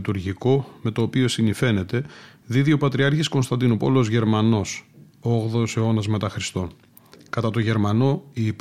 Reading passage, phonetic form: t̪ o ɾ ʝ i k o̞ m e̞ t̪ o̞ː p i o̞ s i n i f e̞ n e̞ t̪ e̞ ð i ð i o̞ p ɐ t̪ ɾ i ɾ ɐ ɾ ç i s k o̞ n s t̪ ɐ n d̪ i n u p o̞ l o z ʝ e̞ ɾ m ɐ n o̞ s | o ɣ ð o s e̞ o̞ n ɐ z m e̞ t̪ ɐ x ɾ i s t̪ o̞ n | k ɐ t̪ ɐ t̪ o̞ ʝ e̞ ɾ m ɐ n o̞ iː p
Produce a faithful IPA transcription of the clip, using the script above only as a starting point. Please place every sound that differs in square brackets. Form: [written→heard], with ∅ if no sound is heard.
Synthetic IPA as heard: t̪ [o→u] ɾ ʝ i k o̞ m e̞ t̪ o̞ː p i o̞ s i n i f e̞ n e̞ t̪ e̞ ð i ð i o̞ p ɐ t̪ ɾ i [ɾ→∅] ɐ ɾ ç i s k o̞ n s t̪ ɐ n d̪ i n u p o̞ l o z ʝ e̞ ɾ m ɐ n o̞ s | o ɣ ð o s e̞ o̞ n ɐ z m e̞ t̪ ɐ x ɾ i s t̪ o̞ n | k ɐ t̪ ɐ t̪ o̞ ʝ e̞ ɾ m ɐ n o̞ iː p